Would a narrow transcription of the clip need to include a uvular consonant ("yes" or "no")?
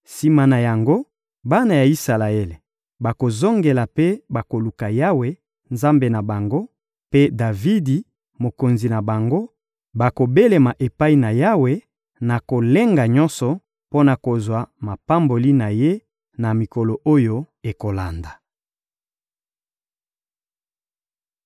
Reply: no